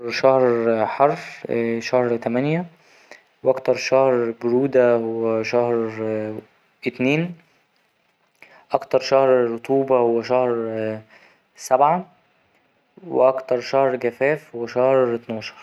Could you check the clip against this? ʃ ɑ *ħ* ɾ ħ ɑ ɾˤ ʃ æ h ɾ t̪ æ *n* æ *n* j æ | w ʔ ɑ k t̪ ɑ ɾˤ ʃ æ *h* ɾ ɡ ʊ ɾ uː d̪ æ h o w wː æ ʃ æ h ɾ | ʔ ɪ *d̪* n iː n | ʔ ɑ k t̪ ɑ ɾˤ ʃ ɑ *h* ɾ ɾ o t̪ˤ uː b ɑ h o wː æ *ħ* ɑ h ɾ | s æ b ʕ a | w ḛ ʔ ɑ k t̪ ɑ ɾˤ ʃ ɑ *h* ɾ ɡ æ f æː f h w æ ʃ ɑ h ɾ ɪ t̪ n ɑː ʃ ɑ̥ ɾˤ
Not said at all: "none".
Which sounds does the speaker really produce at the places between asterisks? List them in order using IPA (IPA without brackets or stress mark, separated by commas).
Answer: h, m, n, h, t̪, h, ʃ, h